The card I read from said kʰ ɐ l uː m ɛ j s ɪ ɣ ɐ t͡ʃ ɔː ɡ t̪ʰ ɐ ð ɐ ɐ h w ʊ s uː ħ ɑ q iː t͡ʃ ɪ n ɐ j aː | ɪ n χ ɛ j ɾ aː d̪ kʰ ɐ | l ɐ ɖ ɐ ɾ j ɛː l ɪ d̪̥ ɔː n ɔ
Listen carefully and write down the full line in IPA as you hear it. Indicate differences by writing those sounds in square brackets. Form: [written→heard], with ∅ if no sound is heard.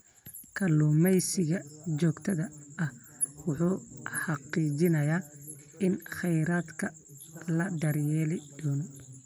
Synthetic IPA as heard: kʰ ɐ l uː m ɛ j s ɪ ɣ ɐ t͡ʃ ɔː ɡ t̪ʰ ɐ ð ɐ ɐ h w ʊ [s→ħ] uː ħ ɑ q iː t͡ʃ ɪ n ɐ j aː | ɪ n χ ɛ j ɾ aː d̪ kʰ ɐ | l ɐ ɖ ɐ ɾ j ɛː l ɪ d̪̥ ɔː n ɔ

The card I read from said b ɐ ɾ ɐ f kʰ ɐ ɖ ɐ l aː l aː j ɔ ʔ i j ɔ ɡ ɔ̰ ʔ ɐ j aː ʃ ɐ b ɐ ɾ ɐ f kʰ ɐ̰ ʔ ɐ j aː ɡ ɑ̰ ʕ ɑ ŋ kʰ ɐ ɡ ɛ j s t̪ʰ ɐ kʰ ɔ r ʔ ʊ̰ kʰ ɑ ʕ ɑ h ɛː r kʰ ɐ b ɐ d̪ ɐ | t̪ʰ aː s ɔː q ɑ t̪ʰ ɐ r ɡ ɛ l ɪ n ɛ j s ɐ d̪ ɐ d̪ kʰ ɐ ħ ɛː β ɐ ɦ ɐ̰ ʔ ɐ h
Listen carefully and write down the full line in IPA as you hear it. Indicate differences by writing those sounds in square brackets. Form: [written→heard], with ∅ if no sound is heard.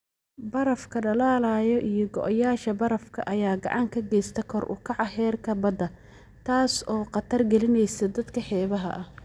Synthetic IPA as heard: b ɐ ɾ ɐ f kʰ ɐ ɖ ɐ l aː l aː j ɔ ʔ i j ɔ ɡ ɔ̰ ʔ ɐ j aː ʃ ɐ b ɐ ɾ ɐ f kʰ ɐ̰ ʔ ɐ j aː ɡ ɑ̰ ʕ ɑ ŋ kʰ ɐ ɡ ɛ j s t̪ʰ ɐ kʰ ɔ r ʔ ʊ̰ kʰ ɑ ʕ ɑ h ɛː r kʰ ɐ b ɐ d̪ ɐ | t̪ʰ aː s ɔː q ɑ t̪ʰ ɐ r ɡ ɛ l ɪ n ɛ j s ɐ d̪ ɐ d̪ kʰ ɐ ħ ɛː β ɐ ɦ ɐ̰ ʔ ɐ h

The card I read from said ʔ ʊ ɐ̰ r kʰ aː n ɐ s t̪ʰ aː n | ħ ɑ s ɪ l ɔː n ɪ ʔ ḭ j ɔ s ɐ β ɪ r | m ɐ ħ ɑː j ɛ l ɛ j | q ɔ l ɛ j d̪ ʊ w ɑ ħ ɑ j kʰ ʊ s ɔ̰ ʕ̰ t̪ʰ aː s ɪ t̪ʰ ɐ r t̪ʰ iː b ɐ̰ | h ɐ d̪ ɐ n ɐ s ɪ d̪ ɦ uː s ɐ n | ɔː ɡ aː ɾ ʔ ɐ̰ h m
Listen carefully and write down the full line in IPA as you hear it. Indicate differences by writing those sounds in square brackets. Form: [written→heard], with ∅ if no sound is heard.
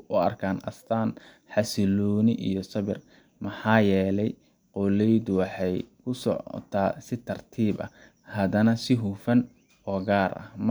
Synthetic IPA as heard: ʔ ʊ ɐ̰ r kʰ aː n ɐ s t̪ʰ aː n | ħ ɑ s ɪ l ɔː n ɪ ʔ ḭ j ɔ s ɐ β ɪ r | m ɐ ħ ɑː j [ɛ→ɛː] l ɛ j | q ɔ l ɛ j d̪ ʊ w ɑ ħ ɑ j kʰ ʊ s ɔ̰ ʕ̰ t̪ʰ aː s ɪ t̪ʰ ɐ r t̪ʰ iː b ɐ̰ | h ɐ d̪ ɐ n ɐ s ɪ [d̪→∅] ɦ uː [s→f] ɐ n | ɔː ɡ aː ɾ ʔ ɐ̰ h m

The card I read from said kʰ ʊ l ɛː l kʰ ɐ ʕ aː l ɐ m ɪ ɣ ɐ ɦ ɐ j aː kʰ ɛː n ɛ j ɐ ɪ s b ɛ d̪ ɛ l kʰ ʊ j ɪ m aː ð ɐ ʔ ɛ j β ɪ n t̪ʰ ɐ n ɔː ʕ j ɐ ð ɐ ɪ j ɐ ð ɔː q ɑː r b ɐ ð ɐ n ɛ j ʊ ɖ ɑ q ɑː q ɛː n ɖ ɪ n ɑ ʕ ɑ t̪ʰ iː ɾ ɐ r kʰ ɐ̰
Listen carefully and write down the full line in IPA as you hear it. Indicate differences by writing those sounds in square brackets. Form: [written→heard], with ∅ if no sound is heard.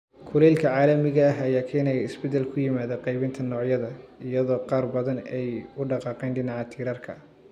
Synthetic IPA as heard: kʰ ʊ l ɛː l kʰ ɐ ʕ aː l ɐ m ɪ ɣ ɐ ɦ ɐ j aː kʰ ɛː n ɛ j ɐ ɪ s b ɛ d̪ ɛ l kʰ ʊ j ɪ m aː ð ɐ [ʔ→q] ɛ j β ɪ n t̪ʰ ɐ n ɔː ʕ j ɐ ð ɐ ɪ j ɐ ð ɔː q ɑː r b ɐ ð ɐ n ɛ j ʊ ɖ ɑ q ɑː q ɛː n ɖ ɪ n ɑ ʕ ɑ t̪ʰ iː ɾ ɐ r kʰ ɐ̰

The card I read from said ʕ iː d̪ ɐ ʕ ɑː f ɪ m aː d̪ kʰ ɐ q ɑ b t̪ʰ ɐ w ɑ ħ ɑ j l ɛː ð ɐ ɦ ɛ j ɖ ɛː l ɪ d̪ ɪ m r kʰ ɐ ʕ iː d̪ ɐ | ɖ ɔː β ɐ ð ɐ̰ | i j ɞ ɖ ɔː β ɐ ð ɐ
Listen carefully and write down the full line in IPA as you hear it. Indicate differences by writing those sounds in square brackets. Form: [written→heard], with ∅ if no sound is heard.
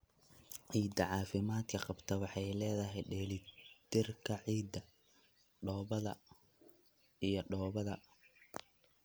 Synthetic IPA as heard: ʕ iː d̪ ɐ ʕ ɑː f ɪ m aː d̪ kʰ ɐ q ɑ b t̪ʰ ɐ w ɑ ħ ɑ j l ɛː ð ɐ ɦ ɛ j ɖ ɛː l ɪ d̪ ɪ [m→∅] r kʰ ɐ ʕ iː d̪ ɐ | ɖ ɔː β ɐ ð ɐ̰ | i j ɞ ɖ ɔː β ɐ ð ɐ

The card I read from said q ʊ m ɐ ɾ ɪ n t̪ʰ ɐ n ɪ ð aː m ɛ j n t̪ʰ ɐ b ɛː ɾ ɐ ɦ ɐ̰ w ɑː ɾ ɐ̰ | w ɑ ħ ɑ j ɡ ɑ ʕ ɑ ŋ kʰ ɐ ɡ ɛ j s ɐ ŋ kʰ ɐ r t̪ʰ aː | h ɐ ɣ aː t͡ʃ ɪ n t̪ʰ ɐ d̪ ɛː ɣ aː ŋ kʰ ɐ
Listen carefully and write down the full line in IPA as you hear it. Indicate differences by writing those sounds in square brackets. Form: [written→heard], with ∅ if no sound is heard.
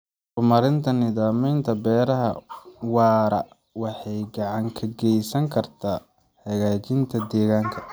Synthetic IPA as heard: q ʊ m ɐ ɾ ɪ n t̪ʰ ɐ n ɪ ð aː m ɛ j n t̪ʰ ɐ b ɛː ɾ ɐ ɦ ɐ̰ w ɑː ɾ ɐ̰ | w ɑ ħ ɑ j ɡ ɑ ʕ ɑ ŋ kʰ ɐ ɡ ɛ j s ɐ ŋ kʰ ɐ r t̪ʰ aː | h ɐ ɣ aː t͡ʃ ɪ n t̪ʰ ɐ d̪ ɛː ɣ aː ŋ kʰ ɐ

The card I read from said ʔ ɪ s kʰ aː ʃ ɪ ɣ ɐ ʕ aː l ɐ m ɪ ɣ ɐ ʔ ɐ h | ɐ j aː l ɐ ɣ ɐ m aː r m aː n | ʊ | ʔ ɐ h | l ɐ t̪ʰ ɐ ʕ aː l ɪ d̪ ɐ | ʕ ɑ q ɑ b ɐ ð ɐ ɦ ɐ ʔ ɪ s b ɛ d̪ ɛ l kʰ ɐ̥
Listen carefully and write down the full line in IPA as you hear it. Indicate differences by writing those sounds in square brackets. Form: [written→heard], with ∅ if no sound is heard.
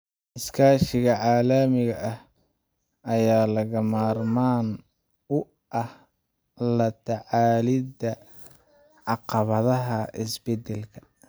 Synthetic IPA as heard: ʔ ɪ s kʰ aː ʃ ɪ ɣ ɐ ʕ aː l ɐ m ɪ ɣ ɐ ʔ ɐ h | ɐ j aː l ɐ ɣ ɐ m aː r m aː n | ʊ | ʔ ɐ h | l ɐ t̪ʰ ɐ ʕ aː l ɪ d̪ ɐ | ʕ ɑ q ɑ [b→β] ɐ ð ɐ ɦ ɐ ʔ ɪ s b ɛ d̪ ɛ l kʰ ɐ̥

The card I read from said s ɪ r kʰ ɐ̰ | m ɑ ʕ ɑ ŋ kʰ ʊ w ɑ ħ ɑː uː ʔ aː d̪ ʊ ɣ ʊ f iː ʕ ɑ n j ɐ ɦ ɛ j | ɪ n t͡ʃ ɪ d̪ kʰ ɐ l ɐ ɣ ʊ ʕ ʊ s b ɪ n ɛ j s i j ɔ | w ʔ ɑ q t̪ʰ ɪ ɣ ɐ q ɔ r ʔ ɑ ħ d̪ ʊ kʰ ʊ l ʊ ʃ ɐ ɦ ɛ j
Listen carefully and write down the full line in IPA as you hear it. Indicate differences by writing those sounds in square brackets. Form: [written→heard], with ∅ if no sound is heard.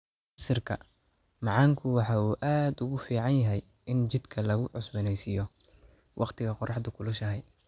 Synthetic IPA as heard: s ɪ r kʰ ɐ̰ | m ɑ ʕ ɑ ŋ kʰ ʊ w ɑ ħ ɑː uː ʔ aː d̪ ʊ ɣ ʊ f iː ʕ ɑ n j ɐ ɦ ɛ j | ɪ n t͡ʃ ɪ d̪ kʰ ɐ l ɐ ɣ ʊ ʕ ʊ s b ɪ n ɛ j s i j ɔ | w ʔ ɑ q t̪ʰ ɪ ɣ ɐ q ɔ r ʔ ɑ ħ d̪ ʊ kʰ ʊ l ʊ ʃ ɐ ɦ ɛ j

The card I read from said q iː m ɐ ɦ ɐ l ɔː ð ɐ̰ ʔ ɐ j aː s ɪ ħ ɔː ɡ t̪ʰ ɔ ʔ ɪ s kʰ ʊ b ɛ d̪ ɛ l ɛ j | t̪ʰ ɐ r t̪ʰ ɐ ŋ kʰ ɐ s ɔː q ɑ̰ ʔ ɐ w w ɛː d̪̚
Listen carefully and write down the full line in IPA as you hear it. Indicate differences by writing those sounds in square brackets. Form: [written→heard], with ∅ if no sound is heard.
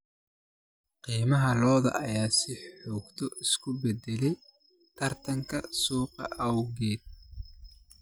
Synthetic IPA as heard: q iː m ɐ ɦ ɐ l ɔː ð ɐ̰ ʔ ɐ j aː s ɪ ħ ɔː ɡ t̪ʰ ɔ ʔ ɪ s kʰ ʊ b ɛ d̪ ɛ l ɛ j | t̪ʰ ɐ r t̪ʰ ɐ ŋ kʰ ɐ s [ɔː→uː] q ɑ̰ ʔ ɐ w [w→ɣ] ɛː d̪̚

